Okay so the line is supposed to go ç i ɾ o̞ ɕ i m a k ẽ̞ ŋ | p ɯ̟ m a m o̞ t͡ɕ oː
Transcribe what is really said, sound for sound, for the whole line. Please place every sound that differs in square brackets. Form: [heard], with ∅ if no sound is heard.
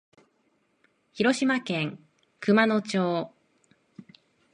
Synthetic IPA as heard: ç i ɾ o̞ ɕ i m a k ẽ̞ ŋ | [k] ɯ̟ m a [n] o̞ t͡ɕ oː

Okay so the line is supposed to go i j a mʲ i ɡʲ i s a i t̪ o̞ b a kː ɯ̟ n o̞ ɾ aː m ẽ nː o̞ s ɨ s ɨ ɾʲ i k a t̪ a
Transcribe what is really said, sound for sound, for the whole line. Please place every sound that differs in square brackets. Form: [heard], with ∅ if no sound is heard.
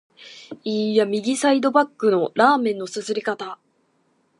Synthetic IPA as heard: i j a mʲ i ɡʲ i s a i [d̪] o̞ b a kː ɯ̟ n o̞ ɾ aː m ẽ nː o̞ s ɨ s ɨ ɾʲ i k a t̪ a

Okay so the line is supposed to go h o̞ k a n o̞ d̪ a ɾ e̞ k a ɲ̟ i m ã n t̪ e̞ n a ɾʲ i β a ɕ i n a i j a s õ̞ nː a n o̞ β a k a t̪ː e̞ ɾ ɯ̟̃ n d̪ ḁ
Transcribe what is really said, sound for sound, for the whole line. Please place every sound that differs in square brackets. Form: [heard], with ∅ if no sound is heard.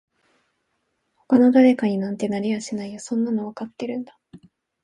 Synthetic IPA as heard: h o̞ k a n o̞ d̪ a ɾ e̞ k a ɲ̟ i [n] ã n t̪ e̞ n a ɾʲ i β a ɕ i n a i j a s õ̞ nː a n o̞ β a k a t̪ː e̞ ɾ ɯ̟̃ n d̪ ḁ

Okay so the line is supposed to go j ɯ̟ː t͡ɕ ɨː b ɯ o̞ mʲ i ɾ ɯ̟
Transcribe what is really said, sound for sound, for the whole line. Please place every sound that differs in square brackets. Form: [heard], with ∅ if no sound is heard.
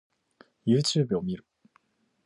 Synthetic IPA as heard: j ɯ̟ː t͡ɕ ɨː b ɯ o̞ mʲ i ɾ ɯ̟

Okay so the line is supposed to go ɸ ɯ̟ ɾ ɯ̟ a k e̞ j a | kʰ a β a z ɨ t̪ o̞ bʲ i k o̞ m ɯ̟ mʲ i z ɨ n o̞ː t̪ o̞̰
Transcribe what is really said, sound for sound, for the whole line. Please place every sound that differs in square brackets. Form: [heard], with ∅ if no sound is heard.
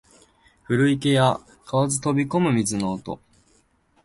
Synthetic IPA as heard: ɸ ɯ̟ ɾ ɯ̟ [i] k e̞ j a | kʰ a β a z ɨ t̪ o̞ bʲ i k o̞ m ɯ̟ mʲ i z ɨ n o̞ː t̪ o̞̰

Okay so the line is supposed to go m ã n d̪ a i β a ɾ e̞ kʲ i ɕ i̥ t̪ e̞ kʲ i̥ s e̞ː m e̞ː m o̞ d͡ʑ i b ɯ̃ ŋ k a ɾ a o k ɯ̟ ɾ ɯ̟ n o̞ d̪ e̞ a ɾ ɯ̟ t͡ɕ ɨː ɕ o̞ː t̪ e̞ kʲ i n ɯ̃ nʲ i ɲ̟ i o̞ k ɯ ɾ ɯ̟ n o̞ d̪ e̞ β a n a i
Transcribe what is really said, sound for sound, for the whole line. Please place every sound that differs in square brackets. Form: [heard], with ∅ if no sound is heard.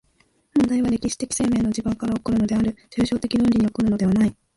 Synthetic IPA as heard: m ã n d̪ a i β a ɾ e̞ kʲ i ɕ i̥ t̪ e̞ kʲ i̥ s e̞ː m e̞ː [n] o̞ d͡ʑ i b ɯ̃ ŋ k a ɾ a o k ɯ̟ ɾ ɯ̟ n o̞ d̪ e̞ a ɾ ɯ̟ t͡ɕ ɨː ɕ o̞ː t̪ e̞ kʲ i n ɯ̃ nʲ i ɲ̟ i o̞ k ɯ ɾ ɯ̟ n o̞ d̪ e̞ β a n a i

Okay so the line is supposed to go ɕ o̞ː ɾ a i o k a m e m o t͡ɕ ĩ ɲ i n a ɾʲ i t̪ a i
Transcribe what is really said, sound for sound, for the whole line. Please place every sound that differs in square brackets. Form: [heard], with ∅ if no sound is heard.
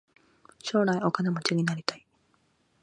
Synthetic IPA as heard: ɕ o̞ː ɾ a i o k a [n] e m o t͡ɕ [i] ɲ i n a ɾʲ i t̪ a i

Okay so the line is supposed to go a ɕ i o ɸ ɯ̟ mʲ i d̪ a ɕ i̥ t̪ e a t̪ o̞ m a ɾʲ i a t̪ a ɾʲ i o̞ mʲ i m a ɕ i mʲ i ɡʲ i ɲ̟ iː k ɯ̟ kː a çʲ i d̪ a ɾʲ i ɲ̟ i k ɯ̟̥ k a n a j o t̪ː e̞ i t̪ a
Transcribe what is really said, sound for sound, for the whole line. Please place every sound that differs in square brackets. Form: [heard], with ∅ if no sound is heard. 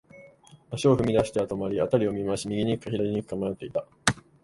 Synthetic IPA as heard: a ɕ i o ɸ ɯ̟ mʲ i d̪ a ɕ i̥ t̪ e a t̪ o̞ m a ɾʲ i a t̪ a ɾʲ i o̞ mʲ i m a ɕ i mʲ i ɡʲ i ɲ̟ [i] k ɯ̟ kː a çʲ i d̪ a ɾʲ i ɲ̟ i k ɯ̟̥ k a [m] a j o t̪ː e̞ i t̪ a

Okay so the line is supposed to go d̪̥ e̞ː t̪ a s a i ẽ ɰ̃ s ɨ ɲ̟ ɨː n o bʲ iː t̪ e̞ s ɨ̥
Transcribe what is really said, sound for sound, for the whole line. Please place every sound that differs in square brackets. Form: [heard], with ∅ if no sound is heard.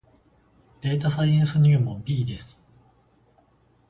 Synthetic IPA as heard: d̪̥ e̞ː t̪ a s a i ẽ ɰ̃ s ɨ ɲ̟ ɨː [m] o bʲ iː [d̪] e̞ s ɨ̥

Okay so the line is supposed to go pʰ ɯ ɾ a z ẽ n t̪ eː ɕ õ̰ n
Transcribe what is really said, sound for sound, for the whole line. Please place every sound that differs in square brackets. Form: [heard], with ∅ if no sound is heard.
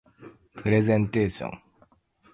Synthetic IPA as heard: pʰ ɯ ɾ [e] z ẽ n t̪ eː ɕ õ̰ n

